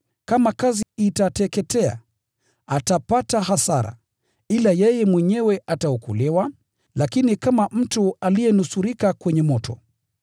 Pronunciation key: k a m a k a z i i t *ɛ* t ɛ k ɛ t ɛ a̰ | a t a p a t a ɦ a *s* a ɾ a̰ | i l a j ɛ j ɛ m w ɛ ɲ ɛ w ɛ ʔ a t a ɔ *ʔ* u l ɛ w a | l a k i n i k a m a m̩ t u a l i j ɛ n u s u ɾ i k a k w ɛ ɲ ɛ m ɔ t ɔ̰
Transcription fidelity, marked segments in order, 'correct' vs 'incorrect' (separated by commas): incorrect, correct, incorrect